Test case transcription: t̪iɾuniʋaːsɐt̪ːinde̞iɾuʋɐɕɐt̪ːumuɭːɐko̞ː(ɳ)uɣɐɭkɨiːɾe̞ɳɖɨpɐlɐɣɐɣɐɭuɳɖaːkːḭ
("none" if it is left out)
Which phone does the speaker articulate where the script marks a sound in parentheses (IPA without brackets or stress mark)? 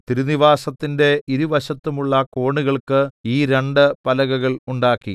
ɳ